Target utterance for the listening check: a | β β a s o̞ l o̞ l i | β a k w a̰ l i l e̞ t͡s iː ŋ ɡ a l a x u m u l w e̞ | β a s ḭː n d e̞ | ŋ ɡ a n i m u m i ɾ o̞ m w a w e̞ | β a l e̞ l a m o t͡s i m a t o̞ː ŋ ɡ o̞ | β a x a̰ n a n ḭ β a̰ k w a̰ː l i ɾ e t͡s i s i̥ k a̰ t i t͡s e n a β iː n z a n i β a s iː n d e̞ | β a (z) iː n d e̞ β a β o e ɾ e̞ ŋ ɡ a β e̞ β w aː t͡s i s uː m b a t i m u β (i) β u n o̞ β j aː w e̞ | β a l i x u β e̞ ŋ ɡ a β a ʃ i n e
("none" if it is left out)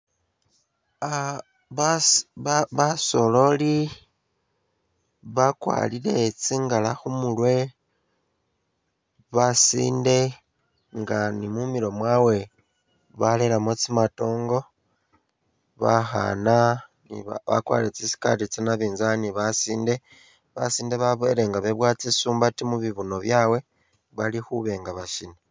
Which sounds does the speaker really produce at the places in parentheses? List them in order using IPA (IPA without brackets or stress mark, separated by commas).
s, i